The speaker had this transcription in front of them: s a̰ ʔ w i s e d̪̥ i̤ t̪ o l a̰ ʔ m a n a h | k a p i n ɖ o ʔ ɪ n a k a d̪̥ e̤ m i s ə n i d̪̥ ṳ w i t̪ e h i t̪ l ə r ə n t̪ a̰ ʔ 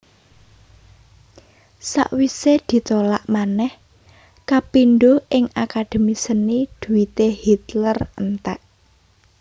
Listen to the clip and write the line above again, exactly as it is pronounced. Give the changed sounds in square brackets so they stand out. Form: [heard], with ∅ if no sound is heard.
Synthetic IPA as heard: s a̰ ʔ w i s e d̪̥ i̤ t̪ o l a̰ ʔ m a n [ɛ] h | k a p i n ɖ o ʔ ɪ [ŋ] a k a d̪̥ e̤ m i s ə n i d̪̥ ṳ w i t̪ e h i t̪ l ə r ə n t̪ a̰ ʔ